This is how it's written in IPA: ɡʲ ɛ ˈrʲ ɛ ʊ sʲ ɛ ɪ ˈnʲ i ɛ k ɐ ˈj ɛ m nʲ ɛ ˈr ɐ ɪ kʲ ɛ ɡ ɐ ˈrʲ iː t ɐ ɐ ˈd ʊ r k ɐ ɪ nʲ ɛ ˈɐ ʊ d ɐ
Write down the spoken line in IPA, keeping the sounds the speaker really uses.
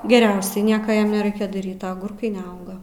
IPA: ɡʲ ɛ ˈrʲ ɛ ʊ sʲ ɛ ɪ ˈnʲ i ɛ k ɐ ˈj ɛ m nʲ ɛ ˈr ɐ ɪ kʲ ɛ d ɐ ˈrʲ iː t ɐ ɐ ˈɡ ʊ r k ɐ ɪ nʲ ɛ ˈɐ ʊ ɡ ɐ